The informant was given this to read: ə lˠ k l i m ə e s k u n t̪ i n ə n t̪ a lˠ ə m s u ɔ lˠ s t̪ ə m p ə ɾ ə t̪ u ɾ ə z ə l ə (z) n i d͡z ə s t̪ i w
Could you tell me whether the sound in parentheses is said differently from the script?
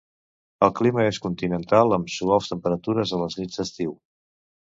no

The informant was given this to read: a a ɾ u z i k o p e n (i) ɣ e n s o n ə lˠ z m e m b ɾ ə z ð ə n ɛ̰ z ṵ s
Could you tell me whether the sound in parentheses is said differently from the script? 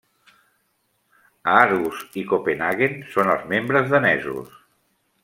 yes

